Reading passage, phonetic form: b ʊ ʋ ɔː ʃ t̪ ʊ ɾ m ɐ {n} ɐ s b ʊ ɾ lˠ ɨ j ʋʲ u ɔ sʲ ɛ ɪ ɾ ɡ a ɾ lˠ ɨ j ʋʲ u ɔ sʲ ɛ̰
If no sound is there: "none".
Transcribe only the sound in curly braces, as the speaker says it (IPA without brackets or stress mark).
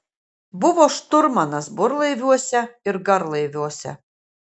n